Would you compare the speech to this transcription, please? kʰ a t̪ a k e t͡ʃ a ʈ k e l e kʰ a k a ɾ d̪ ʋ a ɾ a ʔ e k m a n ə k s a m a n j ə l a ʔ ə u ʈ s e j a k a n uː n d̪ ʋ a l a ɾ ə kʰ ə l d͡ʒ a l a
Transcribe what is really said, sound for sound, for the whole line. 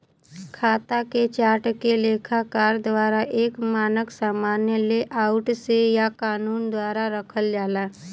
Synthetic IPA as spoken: kʰ a t̪ a k e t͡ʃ a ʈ k e l e kʰ a k a ɾ d̪ ʋ a ɾ a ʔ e k m a n ə k s a m a n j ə l e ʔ a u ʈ s e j a k a n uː n d̪ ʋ a ɾ a ɾ ə kʰ ə l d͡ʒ a l a